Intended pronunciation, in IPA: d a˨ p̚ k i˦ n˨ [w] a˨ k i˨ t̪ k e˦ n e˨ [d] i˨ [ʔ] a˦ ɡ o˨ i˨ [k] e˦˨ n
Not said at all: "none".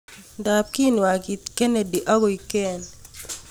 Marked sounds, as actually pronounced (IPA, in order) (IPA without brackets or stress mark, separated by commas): w, d, ʔ, k